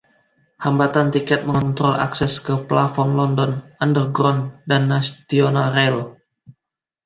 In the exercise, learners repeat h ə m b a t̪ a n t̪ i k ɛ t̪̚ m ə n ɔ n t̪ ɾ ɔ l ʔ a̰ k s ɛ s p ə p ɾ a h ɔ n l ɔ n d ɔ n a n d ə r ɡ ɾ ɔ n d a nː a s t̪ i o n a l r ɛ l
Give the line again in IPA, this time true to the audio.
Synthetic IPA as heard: h a m b a t̪ a n t̪ i k ɛ t̪̚ m ə ŋ ɔ n t̪ ɾ ɔ l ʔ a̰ k s ɛ s k ə p l a f ɔ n l ɔ n d ɔ n a n d ə r ɡ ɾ ɔ n d a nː a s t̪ i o n a l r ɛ l